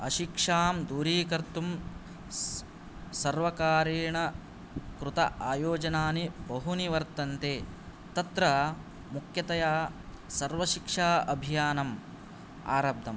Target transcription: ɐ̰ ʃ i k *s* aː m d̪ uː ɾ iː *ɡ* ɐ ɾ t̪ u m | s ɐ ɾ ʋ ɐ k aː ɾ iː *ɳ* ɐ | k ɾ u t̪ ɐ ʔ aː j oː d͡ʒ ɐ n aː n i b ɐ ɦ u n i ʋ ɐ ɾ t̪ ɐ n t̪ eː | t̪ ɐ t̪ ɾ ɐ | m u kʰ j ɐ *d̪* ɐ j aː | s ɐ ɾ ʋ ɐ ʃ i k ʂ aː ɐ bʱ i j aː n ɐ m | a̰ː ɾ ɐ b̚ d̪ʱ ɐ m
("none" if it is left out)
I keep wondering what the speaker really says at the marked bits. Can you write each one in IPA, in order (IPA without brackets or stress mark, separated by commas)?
ʂ, k, ɳ, t̪